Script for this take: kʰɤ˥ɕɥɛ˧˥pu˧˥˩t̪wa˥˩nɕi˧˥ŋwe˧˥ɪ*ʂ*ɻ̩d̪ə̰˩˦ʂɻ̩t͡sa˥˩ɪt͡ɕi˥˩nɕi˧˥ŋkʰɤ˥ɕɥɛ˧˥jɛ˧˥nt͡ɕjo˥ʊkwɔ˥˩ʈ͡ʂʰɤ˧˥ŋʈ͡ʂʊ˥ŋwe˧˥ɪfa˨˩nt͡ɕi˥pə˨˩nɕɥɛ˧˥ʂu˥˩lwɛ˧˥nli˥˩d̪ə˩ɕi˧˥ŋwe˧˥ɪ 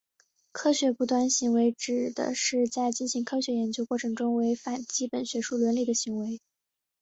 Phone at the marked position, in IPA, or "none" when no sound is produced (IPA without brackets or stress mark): ʈ͡ʂ